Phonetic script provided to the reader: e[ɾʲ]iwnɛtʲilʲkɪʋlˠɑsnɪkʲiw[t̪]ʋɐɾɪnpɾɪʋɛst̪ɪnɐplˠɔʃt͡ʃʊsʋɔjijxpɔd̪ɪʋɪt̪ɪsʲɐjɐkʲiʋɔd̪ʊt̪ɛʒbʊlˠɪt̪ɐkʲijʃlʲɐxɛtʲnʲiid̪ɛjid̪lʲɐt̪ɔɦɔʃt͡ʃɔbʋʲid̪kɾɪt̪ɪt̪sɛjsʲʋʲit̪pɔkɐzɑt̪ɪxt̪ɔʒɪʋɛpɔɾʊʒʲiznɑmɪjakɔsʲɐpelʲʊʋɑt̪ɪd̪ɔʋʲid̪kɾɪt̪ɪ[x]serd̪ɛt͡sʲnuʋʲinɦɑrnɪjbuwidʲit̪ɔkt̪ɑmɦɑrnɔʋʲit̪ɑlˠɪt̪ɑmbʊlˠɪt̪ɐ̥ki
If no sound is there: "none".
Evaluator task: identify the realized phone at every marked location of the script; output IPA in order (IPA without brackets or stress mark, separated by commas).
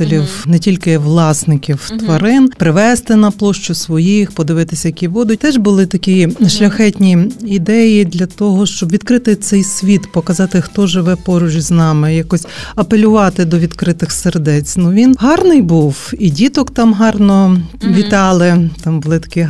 lʲ, t̪, x